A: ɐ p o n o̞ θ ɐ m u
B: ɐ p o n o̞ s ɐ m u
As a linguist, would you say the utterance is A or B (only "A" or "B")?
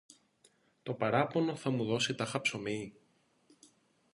A